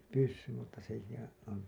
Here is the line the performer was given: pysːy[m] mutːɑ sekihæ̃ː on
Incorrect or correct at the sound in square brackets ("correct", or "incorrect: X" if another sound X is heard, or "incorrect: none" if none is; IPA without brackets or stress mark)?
correct